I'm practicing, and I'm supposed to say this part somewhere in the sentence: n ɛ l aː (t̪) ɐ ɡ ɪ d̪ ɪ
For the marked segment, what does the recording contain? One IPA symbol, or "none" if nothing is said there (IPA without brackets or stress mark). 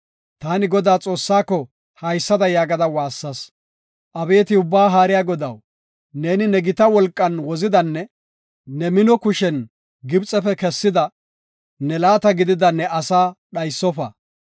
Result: t̪